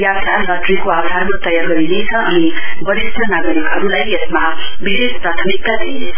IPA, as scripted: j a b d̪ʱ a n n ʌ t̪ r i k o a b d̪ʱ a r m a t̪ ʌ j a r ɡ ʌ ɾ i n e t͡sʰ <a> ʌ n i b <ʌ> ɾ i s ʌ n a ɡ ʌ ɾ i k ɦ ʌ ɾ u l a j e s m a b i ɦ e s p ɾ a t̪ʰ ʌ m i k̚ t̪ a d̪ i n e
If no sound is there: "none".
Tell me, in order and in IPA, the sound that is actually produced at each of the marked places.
ʌ, ʌ

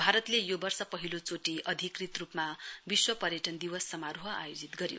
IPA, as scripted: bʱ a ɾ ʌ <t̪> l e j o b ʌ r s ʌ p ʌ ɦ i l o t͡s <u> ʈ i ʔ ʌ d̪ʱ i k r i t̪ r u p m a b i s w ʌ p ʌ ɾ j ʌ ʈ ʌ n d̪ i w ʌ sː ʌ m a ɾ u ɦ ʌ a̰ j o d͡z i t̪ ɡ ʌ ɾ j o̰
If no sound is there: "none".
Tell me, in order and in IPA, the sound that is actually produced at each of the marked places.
t̪, o

